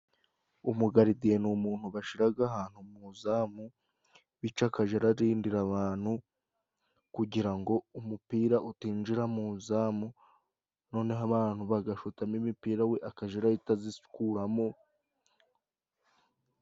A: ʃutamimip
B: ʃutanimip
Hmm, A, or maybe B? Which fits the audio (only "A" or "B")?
A